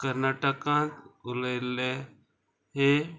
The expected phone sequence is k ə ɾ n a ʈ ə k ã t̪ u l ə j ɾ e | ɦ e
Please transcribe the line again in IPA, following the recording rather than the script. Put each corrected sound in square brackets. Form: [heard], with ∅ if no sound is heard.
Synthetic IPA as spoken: k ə ɾ n a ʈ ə k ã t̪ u l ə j [l] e | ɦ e